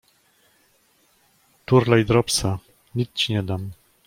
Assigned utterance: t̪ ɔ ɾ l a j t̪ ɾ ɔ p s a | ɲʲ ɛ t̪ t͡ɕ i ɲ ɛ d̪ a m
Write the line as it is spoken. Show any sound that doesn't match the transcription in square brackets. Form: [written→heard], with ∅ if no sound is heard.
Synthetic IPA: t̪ [ɔ→u] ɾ l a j [t̪→d̪] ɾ ɔ p s a | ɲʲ [ɛ→i] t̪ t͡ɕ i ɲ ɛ d̪ a m